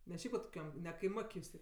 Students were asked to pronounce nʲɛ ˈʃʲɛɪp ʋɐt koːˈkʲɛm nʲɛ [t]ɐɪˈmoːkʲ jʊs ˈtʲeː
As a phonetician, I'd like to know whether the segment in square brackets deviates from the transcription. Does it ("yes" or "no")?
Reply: yes